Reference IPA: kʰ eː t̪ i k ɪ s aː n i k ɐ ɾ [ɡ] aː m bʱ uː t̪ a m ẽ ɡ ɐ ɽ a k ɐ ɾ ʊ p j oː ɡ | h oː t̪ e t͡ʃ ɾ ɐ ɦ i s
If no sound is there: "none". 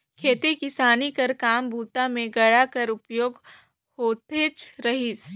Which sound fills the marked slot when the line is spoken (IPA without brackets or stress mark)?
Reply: k